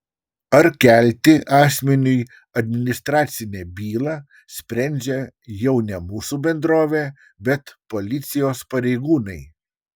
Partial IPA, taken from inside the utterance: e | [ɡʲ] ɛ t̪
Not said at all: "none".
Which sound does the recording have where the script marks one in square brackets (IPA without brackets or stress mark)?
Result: bʲ